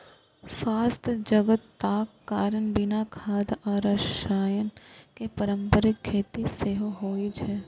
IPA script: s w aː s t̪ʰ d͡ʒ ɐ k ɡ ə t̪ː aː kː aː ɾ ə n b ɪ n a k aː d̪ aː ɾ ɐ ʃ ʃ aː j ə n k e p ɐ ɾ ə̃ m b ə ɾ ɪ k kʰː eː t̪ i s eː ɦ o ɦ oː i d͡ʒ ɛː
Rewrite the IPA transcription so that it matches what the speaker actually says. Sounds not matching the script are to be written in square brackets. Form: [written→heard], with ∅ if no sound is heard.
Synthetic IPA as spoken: s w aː s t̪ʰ d͡ʒ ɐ [k→∅] ɡ ə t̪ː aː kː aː ɾ ə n b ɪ n a [k→kʰ] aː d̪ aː ɾ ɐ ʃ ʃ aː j ə n k e p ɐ ɾ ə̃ m [b→p] ə ɾ ɪ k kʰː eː t̪ i s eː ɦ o ɦ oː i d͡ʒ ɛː